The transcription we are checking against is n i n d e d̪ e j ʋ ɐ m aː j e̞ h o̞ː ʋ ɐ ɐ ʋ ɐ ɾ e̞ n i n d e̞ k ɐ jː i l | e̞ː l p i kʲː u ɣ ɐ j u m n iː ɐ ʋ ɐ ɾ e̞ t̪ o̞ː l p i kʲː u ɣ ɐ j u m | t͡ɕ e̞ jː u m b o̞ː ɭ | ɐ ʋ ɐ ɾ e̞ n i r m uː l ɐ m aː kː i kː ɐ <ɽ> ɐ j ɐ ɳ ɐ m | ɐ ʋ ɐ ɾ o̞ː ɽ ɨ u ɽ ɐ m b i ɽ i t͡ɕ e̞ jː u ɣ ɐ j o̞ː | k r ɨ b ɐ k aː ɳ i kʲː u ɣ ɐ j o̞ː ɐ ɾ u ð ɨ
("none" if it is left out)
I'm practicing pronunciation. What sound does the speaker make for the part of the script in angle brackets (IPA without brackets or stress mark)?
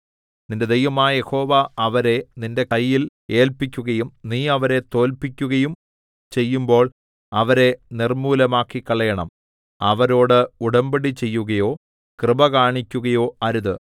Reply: ɭ